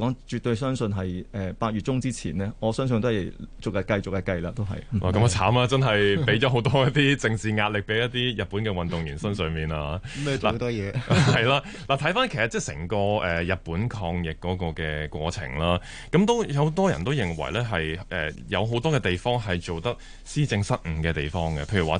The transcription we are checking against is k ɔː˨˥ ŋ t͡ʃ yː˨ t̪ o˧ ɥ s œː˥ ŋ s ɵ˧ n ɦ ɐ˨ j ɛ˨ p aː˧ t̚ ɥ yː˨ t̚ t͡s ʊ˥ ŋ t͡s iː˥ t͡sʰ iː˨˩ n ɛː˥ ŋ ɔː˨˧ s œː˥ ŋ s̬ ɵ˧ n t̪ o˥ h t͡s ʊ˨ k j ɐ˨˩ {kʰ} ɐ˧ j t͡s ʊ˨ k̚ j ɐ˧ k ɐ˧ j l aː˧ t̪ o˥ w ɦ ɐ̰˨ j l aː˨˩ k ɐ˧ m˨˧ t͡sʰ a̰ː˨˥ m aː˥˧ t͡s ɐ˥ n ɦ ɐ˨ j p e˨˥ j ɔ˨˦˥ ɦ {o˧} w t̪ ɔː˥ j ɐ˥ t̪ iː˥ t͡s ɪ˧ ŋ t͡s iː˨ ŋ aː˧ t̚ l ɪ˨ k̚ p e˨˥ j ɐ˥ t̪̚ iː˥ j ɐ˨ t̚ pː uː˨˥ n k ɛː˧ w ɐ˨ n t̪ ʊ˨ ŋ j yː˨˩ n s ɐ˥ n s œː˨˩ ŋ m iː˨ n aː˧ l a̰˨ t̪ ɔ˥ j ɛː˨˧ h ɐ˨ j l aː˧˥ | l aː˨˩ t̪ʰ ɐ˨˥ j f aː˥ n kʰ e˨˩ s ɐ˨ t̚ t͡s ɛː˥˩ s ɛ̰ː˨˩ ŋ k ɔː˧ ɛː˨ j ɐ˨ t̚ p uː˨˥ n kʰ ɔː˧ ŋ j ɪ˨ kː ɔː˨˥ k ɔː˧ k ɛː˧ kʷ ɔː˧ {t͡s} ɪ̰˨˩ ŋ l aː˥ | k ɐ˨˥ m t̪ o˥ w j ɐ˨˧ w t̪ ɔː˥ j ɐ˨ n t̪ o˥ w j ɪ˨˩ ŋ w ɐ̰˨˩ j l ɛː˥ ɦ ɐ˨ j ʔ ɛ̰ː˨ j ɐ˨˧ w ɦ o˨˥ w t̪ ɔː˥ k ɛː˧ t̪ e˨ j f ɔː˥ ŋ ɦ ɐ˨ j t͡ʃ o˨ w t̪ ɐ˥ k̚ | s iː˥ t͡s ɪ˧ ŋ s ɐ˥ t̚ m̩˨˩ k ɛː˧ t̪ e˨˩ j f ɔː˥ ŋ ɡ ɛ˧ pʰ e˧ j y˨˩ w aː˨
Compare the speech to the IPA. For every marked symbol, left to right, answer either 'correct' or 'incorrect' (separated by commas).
incorrect, incorrect, incorrect